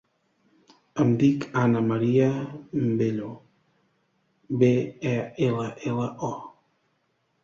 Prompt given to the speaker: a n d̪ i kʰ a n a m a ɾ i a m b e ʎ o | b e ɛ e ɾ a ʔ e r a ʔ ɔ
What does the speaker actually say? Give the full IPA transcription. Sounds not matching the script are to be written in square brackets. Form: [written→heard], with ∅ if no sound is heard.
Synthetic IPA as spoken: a [n→m] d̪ i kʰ a n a m a ɾ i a m b e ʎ o | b e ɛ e [ɾ→l] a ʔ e [r→l] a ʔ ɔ

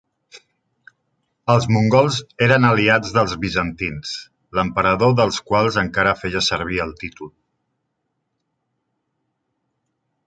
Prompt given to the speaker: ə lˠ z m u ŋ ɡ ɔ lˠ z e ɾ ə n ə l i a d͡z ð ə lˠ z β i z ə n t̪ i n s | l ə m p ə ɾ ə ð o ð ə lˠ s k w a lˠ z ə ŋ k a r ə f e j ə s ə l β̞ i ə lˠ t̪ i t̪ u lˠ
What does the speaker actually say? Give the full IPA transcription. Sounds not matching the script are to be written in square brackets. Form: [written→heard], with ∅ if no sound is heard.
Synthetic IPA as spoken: ə lˠ z m u ŋ ɡ ɔ lˠ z e ɾ ə n ə l i a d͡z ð ə lˠ z β i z ə n t̪ i n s | l ə m p ə ɾ ə ð o ð ə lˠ s k w a lˠ z ə ŋ k a [r→ɾ] ə f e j ə s ə [l→ɾ] β̞ i ə lˠ t̪ i t̪ u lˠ

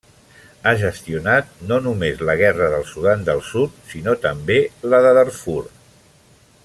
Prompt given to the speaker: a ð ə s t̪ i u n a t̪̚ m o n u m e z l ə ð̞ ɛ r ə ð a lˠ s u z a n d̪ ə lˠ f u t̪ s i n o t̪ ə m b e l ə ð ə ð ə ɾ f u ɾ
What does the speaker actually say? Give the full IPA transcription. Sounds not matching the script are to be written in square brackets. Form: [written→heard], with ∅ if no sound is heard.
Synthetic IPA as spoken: a [ð→ʒ] ə s t̪ i u n a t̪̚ [m→n] o n u m e z l ə [ð̞→ɣ̞] ɛ r ə ð [a→ə] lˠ s u [z→ð] a n d̪ ə lˠ [f→s] u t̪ s i n o t̪ ə m b e l ə ð ə ð ə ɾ f u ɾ

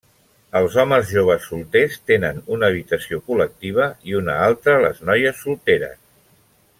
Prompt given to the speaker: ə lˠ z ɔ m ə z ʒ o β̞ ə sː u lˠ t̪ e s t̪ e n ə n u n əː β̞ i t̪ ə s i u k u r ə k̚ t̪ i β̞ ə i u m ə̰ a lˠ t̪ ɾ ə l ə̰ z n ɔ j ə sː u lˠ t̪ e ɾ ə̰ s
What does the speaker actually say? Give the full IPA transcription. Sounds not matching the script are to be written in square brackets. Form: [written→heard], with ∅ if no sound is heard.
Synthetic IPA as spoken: ə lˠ z ɔ m ə z ʒ o β̞ ə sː u lˠ t̪ e s t̪ e n ə n u n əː β̞ i t̪ ə s i [u→o] k u [r→l] ə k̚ t̪ i β̞ ə i u [m→n] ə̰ a lˠ t̪ ɾ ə l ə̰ z n ɔ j ə sː u lˠ t̪ e ɾ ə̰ s

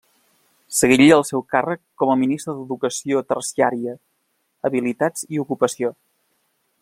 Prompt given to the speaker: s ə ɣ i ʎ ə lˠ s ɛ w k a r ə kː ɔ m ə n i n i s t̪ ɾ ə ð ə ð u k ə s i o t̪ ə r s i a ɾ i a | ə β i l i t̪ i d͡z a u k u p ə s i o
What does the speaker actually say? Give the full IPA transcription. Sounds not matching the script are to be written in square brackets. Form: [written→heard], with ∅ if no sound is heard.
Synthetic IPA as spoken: s ə ɣ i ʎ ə lˠ s ɛ w k a r ə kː ɔ m ə [n→m] i n i s t̪ ɾ ə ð ə ð u k ə s i o t̪ ə r s i a ɾ i [a→ə] | ə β i l i t̪ [i→a] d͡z [a→i] u k u p ə s i o

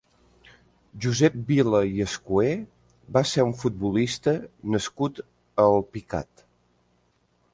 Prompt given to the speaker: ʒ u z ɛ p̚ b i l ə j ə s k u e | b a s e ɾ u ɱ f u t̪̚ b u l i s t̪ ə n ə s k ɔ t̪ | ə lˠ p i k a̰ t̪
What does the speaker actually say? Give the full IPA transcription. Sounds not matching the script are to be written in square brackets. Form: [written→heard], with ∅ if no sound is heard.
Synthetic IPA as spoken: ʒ u z ɛ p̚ b i l ə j ə s k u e | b a s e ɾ u ɱ f u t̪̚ b u l i s t̪ ə n ə s k [ɔ→u] t̪ | ə lˠ p i k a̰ t̪

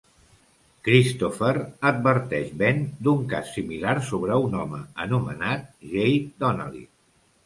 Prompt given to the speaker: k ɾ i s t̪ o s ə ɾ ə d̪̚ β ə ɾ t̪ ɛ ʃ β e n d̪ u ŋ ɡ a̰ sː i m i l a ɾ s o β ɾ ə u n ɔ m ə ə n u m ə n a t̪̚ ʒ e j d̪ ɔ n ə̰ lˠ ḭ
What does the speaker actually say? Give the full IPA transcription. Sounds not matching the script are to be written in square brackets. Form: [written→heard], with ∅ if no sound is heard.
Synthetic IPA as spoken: k ɾ i s t̪ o [s→f] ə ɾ ə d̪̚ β ə ɾ t̪ ɛ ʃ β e n d̪ u ŋ [ɡ→k] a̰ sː i m i l a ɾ s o β ɾ ə u n ɔ m ə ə n u m ə n a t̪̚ ʒ e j d̪ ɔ n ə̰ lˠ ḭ

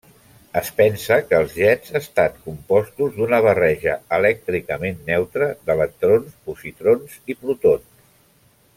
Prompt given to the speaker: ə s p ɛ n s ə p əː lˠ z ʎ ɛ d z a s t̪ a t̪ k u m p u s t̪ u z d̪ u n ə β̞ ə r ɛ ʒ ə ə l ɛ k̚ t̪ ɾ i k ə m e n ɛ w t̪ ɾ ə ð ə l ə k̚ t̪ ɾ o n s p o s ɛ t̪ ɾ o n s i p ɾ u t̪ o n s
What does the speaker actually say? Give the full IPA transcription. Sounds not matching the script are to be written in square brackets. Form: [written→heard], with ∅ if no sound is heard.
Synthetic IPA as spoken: ə s p ɛ n s ə [p→k] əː lˠ z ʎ ɛ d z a s t̪ a t̪ k u m p [u→ɔ] s t̪ u z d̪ u n ə β̞ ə r ɛ ʒ ə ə l ɛ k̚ t̪ ɾ i k ə m e [n→nː] ɛ w t̪ ɾ ə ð ə l ə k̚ t̪ ɾ o n s p [o→u] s [ɛ→i] t̪ ɾ o n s i p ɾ u t̪ o n s

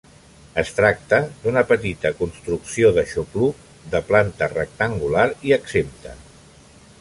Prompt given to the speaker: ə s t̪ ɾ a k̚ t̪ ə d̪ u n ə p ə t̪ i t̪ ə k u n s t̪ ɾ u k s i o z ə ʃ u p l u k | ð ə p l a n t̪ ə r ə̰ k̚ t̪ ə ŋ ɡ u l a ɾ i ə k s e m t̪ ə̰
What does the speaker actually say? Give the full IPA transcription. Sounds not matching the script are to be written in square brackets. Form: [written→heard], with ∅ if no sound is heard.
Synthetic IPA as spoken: ə s t̪ ɾ a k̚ t̪ ə d̪ u n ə p ə t̪ i t̪ ə k u n s t̪ ɾ u k s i o [z→ð] ə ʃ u p l u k | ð ə p l a n t̪ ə r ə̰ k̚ t̪ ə ŋ ɡ u l a ɾ i ə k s e m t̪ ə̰

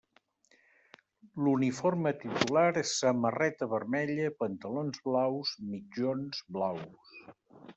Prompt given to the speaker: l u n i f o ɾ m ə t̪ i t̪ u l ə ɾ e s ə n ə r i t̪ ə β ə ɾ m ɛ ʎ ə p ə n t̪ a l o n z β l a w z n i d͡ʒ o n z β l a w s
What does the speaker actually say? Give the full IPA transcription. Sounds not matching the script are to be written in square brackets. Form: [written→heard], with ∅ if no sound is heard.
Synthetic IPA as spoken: l u n i f o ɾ m ə t̪ i t̪ u l [ə→a] ɾ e s ə [n→m] ə r [i→ɛ] t̪ ə β ə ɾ m ɛ ʎ ə p ə n t̪ [a→ə] l o n z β l a w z [n→m] i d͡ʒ o n z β l a w s

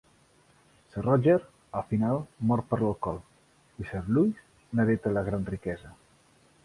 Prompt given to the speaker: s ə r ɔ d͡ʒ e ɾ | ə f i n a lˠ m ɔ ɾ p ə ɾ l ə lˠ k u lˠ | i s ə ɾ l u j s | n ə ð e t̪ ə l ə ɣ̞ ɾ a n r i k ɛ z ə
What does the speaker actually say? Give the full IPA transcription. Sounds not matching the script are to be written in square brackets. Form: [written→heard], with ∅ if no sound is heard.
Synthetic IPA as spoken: s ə r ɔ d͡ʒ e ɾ | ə f i n a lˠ m ɔ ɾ p ə ɾ l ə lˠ k [u→ɔ] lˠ | i s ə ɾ l u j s | n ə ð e t̪ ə l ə ɣ̞ ɾ a n r i k ɛ z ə

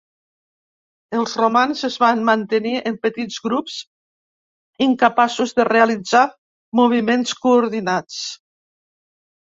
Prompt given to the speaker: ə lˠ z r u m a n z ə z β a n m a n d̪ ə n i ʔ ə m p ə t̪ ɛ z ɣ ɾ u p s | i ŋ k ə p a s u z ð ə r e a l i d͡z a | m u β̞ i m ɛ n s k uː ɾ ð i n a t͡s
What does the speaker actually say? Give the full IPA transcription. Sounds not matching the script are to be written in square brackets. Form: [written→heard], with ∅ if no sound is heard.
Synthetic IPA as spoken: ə lˠ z r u m a n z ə z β a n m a n [d̪→t̪] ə n i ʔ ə m p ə t̪ [ɛ→i] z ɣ ɾ u p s | i ŋ k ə p a s u z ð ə r e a l i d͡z a | m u β̞ i m [ɛ→e] n s k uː ɾ ð i n a t͡s

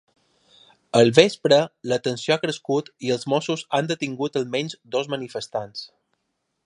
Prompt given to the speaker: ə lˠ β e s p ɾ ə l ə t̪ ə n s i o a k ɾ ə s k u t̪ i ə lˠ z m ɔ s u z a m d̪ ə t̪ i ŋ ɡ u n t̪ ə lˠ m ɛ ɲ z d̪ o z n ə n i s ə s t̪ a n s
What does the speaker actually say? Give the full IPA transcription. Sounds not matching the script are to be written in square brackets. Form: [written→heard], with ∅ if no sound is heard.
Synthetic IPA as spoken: ə lˠ β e s p ɾ ə l ə t̪ ə n s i o a k ɾ ə s k u t̪ i ə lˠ z m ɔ s u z a [m→n] d̪ ə t̪ i ŋ ɡ u [n→∅] t̪ ə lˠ m ɛ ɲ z d̪ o z [n→m] ə n i [s→f] ə s t̪ a n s

